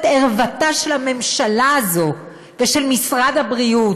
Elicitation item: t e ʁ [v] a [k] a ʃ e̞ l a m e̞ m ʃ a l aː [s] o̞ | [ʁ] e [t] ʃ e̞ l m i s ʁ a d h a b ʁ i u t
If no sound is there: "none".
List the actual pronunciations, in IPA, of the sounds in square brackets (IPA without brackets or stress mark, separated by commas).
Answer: v, t, z, v, none